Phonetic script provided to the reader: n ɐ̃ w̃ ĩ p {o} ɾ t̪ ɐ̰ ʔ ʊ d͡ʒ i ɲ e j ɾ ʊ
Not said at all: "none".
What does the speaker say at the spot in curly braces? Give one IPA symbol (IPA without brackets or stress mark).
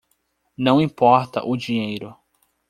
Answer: ɔ